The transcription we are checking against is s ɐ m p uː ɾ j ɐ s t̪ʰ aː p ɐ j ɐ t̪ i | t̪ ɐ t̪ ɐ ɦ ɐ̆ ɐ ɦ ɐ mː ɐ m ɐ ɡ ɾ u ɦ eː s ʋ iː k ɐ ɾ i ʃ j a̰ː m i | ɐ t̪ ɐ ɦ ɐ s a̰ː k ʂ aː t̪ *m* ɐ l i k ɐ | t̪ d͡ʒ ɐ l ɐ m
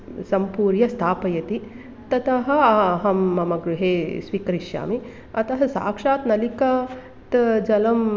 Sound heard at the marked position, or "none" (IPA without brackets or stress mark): n